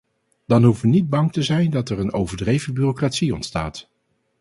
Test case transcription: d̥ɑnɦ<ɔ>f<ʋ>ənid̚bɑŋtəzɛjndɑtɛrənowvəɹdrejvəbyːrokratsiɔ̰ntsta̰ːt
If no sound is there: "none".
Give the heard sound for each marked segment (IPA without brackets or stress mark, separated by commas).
u, ʋ